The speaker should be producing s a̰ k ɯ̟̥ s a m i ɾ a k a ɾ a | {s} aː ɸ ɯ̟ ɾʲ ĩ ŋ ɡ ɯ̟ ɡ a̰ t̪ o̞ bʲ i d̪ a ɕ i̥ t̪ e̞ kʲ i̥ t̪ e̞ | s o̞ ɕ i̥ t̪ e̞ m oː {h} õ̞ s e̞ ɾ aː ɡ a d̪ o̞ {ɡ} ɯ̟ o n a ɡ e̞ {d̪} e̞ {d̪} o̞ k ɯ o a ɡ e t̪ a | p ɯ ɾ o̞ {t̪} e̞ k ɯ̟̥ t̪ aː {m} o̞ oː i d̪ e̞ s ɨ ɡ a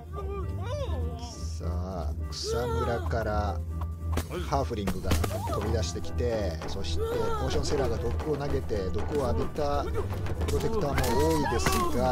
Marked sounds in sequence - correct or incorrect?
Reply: incorrect, incorrect, incorrect, incorrect, correct, correct, correct

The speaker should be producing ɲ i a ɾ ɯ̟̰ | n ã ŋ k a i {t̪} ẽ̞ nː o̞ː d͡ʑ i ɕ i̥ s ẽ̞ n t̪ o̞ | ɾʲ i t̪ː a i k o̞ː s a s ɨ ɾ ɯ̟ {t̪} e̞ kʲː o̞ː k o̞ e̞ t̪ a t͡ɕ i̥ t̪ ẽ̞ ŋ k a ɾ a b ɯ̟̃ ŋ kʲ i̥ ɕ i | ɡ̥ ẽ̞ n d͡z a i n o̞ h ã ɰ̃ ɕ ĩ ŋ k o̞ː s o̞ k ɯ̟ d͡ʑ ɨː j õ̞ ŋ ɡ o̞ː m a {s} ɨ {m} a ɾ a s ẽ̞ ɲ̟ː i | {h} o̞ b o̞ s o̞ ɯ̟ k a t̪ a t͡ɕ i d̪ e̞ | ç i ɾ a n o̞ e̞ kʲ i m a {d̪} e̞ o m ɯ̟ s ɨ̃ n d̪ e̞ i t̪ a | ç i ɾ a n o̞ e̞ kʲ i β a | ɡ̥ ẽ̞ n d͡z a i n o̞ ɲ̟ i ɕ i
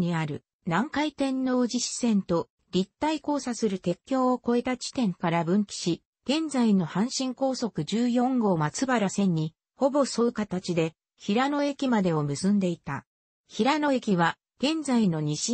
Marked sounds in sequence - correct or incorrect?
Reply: correct, correct, incorrect, incorrect, correct, correct

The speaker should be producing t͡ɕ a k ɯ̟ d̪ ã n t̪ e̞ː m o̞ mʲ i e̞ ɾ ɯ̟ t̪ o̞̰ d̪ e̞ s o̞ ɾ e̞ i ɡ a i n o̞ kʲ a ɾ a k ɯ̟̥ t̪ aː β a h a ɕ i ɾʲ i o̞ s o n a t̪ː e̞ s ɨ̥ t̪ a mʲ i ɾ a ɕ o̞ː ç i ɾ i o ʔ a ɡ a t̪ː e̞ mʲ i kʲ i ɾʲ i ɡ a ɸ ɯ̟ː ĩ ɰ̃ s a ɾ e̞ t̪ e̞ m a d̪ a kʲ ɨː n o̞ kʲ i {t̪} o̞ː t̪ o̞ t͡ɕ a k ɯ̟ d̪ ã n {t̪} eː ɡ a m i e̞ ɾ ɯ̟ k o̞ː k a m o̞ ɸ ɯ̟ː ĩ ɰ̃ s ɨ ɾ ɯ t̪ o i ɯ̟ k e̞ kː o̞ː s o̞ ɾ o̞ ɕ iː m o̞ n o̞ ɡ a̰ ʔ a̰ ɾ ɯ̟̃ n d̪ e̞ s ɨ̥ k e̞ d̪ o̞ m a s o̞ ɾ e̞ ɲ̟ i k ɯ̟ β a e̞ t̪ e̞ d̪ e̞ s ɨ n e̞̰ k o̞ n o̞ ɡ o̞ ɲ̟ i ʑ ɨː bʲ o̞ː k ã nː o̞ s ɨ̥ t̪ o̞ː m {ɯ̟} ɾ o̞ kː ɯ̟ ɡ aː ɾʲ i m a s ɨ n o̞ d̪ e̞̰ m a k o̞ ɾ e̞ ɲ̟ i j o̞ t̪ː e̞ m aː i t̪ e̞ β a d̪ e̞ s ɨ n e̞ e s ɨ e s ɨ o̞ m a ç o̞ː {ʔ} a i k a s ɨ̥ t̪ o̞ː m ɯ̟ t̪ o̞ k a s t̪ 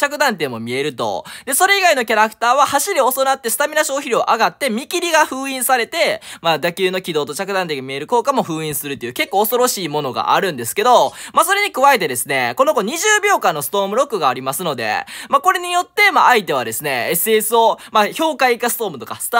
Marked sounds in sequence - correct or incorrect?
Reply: incorrect, correct, correct, incorrect

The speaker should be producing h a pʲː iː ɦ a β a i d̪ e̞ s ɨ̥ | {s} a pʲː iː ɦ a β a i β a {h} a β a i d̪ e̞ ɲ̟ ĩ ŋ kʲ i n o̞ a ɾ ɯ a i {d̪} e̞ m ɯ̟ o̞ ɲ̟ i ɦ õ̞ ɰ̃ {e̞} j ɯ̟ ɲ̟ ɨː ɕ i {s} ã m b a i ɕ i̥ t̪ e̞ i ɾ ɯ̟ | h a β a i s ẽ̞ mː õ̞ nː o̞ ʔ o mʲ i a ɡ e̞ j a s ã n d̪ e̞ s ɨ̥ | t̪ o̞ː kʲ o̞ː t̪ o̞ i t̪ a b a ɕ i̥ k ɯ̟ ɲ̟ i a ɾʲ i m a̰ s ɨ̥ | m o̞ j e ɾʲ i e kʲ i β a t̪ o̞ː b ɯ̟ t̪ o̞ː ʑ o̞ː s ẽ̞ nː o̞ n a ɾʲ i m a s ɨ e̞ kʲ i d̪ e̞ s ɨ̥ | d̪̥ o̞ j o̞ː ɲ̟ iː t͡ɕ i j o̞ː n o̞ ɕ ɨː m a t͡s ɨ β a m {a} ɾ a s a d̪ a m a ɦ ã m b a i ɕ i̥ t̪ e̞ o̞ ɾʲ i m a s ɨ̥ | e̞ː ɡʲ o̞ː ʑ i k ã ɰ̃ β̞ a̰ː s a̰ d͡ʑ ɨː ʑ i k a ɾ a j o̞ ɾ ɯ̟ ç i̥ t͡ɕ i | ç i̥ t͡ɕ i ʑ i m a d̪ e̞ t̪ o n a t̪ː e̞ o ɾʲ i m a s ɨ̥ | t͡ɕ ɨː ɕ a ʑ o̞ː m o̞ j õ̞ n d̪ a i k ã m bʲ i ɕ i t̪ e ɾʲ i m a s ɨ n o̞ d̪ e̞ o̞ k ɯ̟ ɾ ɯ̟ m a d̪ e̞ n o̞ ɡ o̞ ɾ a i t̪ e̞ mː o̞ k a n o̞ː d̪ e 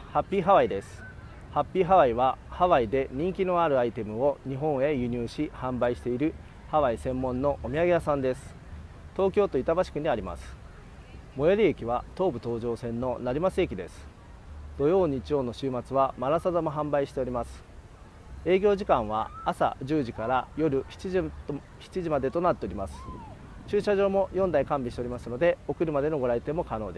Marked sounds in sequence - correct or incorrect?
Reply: incorrect, correct, incorrect, correct, incorrect, correct

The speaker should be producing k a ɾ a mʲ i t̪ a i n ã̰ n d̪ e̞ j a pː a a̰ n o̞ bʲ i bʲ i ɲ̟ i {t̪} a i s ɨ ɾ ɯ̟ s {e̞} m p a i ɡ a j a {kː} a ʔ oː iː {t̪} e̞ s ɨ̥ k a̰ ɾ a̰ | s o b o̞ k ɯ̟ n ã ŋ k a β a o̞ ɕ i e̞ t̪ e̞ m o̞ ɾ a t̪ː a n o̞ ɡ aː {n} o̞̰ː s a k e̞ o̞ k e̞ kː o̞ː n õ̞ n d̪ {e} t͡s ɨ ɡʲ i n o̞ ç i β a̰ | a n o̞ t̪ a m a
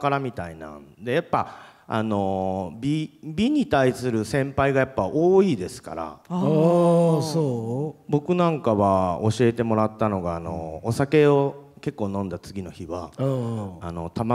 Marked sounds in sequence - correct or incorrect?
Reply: correct, incorrect, incorrect, incorrect, correct, incorrect

